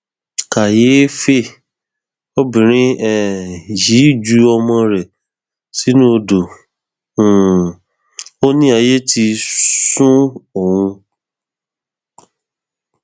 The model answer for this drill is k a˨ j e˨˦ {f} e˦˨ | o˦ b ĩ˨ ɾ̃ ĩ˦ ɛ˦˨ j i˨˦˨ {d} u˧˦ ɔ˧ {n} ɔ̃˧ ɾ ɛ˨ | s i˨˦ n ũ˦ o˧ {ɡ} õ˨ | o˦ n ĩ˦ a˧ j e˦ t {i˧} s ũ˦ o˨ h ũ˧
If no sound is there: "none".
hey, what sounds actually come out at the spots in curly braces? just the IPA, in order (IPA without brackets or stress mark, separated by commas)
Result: f, d͡ʒ, m, d, i˧